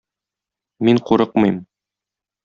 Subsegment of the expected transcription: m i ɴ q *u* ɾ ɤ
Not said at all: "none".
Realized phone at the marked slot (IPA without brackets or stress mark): u